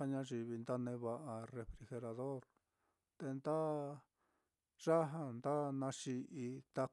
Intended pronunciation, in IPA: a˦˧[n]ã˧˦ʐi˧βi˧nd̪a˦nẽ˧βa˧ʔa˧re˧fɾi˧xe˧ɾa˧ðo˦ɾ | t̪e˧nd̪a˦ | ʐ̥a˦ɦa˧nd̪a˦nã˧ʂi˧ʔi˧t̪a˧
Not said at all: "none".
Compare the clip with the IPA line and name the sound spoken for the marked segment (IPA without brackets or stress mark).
ɲ